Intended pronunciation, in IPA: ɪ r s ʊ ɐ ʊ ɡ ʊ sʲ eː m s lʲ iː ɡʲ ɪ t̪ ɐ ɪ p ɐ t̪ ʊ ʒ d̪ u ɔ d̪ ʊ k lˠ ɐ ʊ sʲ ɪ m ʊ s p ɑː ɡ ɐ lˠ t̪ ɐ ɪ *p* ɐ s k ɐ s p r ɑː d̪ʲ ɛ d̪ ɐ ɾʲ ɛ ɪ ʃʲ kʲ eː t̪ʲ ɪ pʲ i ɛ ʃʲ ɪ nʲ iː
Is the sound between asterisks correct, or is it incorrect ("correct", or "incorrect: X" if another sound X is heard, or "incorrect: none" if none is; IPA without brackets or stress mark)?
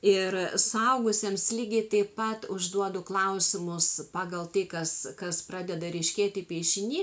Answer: incorrect: k